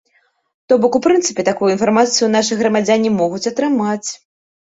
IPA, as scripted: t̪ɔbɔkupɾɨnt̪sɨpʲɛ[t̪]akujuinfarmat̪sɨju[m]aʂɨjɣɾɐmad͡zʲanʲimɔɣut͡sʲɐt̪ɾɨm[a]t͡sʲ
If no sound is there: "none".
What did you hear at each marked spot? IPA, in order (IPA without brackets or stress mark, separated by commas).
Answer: t̪, n, a